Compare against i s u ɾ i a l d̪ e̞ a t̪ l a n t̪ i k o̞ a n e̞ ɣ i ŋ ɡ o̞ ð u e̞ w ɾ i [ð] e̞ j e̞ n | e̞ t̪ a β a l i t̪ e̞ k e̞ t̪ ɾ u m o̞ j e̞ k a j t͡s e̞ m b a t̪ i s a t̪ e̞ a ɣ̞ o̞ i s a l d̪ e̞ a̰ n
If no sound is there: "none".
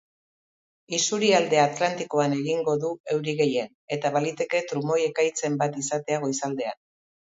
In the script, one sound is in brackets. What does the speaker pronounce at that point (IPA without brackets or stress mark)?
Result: ɣ